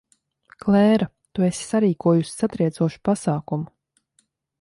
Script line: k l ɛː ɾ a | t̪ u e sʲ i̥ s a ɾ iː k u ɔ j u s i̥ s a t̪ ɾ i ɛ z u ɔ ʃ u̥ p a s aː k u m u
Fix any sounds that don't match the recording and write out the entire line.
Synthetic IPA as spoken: k l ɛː ɾ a | t̪ u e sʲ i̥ s a ɾ iː k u ɔ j u s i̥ s a t̪ ɾ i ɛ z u ɔ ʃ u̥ p a s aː k u m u

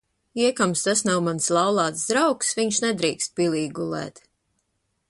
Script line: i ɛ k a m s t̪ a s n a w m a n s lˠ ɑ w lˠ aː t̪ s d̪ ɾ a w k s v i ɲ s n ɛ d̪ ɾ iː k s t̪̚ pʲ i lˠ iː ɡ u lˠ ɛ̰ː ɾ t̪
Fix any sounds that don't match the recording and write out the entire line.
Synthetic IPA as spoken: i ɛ k a m s t̪ a s n a w m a n s lˠ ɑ w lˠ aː t̪ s d̪ ɾ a w k s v i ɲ ʃ n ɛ d̪ ɾ iː k s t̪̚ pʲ i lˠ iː ɡ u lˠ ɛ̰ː t̪

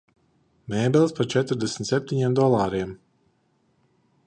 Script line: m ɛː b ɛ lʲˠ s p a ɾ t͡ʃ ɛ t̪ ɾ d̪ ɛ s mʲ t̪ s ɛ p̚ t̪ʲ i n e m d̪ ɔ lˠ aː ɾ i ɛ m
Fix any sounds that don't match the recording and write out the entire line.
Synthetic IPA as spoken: m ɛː b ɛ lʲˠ s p a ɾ t͡ʃ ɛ t̪ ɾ d̪ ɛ s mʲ t̪ s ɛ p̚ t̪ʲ i ɲ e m d̪ ɔ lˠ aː ɾ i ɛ m

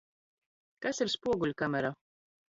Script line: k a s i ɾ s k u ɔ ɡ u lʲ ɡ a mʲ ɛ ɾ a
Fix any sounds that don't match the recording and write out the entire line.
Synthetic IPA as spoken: k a s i ɾ s p u ɔ ɡ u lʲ k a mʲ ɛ ɾ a

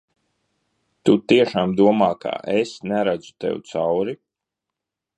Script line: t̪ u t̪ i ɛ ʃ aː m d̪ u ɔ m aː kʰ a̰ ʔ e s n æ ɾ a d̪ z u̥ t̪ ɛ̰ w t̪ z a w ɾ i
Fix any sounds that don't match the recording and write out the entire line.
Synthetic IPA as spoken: t̪ u t̪ i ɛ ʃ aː m d̪ u ɔ m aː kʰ a̰ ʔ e s n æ ɾ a d̪ z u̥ t̪ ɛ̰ w t̪ s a w ɾ i

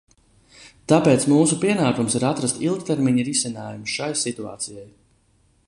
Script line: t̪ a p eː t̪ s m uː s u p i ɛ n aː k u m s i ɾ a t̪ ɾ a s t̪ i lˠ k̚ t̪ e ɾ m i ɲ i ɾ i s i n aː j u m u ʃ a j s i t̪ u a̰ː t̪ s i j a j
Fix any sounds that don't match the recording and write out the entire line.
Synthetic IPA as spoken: t̪ a p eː t̪ s m uː s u p i ɛ n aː k u m s i ɾ a t̪ ɾ a s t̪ i lˠ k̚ t̪ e ɾ m i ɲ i ɾ i s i n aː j u m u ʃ a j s i t̪ u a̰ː t̪ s i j a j

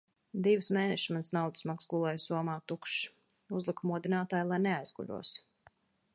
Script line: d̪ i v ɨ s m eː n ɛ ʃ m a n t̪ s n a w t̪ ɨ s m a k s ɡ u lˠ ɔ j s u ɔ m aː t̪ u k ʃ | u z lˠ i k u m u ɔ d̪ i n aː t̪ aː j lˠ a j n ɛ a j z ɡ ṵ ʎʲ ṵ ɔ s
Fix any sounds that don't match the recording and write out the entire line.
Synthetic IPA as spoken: d̪ i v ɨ s m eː n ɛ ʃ m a n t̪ s n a w d̪ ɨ s m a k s ɡ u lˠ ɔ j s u ɔ m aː t̪ u k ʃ | u z lˠ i k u m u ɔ d̪ i n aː t̪ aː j lˠ a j n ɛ a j z ɡ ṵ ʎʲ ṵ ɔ s

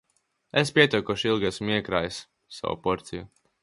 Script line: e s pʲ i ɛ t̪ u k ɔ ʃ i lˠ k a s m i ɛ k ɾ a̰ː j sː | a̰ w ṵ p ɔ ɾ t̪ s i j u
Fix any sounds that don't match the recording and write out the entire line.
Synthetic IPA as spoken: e s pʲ i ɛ t̪ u k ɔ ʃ i lˠ ɡ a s m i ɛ k ɾ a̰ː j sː | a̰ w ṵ p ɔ ɾ t̪ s i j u

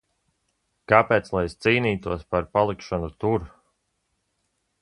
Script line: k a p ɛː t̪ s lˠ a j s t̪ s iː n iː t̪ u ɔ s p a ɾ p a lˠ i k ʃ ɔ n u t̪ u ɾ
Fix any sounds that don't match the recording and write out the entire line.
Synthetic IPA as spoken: k a p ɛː t̪ s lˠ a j s t̪ s iː n iː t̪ u ɔ s p a ɾ p a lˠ i k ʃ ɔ n u t̪ u ɾ

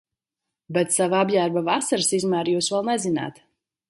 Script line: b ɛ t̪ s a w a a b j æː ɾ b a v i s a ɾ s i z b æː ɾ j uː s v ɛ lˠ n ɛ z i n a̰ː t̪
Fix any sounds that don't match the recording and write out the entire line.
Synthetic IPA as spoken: b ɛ t̪ s a v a a b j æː ɾ b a v a s a ɾ s i z m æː ɾ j uː s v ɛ lˠ n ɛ z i n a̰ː t̪

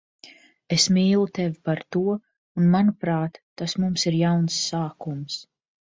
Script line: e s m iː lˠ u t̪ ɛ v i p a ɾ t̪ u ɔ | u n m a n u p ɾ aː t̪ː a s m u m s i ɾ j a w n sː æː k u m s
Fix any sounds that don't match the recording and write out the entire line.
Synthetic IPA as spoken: e s m iː lˠ u t̪ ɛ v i p a ɾ t̪ u ɔ | u n m a n u p ɾ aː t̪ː a s m u m s i ɾ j a w n sː aː k u m s

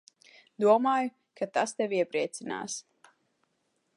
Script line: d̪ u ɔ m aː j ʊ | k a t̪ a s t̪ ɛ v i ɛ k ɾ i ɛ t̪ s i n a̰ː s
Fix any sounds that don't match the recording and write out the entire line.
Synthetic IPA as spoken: d̪ u ɔ m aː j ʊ | k a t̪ a s t̪ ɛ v i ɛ p ɾ i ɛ t̪ s i n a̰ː s

